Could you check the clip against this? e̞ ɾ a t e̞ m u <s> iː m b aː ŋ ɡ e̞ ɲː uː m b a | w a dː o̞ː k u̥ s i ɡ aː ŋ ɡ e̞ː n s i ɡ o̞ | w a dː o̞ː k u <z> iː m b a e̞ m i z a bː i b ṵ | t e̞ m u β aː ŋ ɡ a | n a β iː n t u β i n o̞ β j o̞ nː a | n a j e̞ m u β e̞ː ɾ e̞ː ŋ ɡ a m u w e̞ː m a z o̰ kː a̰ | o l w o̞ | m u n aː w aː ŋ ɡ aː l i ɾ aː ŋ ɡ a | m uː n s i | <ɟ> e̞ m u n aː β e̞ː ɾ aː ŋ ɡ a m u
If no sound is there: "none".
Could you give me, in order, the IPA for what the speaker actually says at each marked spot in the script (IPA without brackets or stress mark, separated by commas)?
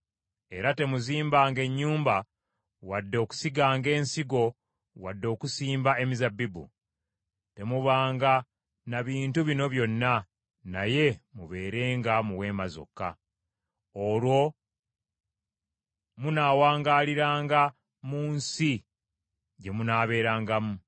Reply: z, s, ɟ